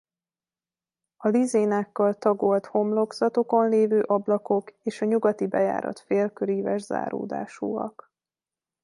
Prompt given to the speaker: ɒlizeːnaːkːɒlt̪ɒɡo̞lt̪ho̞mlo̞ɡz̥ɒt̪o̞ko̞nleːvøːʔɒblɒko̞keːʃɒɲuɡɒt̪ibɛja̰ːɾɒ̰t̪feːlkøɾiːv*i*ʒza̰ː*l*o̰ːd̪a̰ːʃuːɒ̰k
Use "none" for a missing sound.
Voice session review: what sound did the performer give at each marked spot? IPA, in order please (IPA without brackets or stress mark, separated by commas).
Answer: ɛ, ɾ